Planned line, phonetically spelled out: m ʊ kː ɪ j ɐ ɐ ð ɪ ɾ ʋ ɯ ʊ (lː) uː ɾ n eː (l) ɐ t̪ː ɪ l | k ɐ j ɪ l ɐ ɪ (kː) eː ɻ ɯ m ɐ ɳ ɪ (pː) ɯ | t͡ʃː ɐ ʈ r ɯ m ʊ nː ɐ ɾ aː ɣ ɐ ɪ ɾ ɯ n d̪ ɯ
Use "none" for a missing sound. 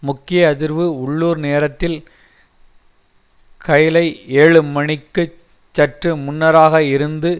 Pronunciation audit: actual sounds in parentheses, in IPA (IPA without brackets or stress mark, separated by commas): ɭː, ɾ, none, kː